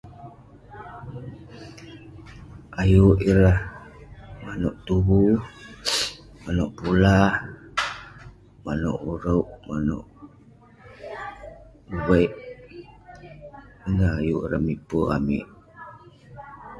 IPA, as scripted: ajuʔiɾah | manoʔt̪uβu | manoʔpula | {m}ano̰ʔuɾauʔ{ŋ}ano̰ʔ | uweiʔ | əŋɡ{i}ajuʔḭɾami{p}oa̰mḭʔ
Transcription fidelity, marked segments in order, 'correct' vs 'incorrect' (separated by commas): correct, incorrect, incorrect, correct